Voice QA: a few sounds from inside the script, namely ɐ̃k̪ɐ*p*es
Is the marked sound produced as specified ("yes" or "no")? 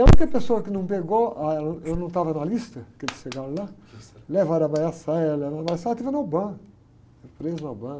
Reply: yes